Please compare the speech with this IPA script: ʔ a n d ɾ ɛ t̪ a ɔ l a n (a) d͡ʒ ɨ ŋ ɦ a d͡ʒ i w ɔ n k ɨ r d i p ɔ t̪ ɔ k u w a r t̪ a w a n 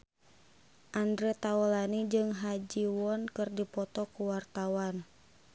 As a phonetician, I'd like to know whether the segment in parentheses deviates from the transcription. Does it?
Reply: yes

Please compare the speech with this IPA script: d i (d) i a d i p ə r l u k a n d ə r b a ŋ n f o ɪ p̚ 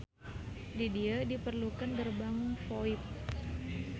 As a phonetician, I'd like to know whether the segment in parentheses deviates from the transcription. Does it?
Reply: no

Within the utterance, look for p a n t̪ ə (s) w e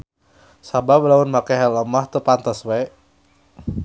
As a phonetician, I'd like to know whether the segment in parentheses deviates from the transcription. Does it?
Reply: no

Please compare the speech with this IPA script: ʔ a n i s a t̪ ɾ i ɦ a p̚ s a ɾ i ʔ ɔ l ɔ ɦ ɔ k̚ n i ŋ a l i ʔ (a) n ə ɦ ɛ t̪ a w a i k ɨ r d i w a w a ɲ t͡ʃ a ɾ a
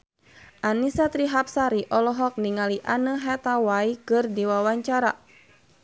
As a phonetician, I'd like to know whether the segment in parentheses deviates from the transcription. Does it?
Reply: no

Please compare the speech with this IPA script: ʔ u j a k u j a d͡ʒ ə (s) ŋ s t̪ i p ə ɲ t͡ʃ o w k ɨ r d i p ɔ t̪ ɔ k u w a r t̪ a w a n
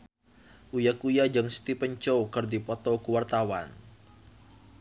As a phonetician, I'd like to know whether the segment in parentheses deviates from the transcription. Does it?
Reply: yes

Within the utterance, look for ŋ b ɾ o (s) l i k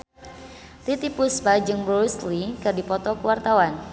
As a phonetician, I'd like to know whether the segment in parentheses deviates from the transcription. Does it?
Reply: no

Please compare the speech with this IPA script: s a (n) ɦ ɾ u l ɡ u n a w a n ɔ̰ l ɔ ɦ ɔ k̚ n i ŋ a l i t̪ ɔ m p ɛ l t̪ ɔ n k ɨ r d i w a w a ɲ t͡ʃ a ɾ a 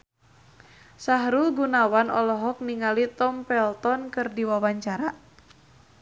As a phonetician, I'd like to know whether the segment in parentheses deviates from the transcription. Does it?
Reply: yes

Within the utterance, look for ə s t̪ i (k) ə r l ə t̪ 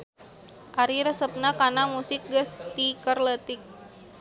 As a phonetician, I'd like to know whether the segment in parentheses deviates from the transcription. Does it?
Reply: no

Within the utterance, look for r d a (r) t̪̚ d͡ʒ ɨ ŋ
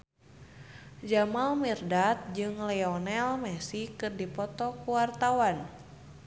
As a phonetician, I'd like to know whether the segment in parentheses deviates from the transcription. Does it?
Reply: yes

